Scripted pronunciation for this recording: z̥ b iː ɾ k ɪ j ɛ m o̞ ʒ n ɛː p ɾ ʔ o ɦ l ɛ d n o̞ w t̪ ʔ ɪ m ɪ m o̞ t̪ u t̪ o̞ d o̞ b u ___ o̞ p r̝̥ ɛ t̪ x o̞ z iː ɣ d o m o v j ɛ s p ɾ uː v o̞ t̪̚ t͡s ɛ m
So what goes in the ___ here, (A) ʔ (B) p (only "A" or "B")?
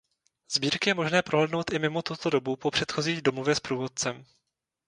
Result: B